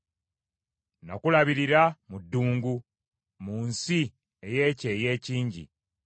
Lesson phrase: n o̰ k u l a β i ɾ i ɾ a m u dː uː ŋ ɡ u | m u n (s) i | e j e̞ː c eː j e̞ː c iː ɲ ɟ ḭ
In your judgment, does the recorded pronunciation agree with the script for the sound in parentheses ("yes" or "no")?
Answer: yes